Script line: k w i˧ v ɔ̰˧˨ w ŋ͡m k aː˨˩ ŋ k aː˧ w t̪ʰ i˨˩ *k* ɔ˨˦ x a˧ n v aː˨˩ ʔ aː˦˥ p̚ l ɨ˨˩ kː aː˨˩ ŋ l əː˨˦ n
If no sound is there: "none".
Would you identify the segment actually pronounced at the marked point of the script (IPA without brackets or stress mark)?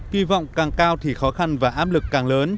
x